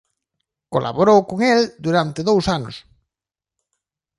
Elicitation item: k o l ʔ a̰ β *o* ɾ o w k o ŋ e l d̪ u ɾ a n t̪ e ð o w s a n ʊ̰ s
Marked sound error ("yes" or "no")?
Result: no